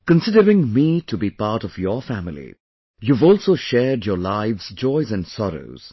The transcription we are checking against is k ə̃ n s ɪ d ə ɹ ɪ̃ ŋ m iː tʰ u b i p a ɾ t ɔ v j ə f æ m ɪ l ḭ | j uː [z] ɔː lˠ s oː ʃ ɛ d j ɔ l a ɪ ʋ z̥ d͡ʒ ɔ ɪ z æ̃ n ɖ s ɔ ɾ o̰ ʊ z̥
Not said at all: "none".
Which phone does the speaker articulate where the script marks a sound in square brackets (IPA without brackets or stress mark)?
v